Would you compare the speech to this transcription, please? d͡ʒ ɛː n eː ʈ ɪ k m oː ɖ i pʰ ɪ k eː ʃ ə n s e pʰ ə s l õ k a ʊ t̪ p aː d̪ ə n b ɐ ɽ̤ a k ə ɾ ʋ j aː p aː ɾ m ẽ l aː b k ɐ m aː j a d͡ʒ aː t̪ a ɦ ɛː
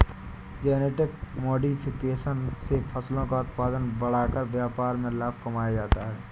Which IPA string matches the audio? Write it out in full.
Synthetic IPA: d͡ʒ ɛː n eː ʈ ɪ k m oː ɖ i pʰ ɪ k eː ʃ ə n s e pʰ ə s l õ k a ʊ t̪ p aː d̪ ə n b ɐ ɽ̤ a k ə ɾ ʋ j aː p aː ɾ m ẽ l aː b k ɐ m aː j a d͡ʒ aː t̪ a ɦ ɛː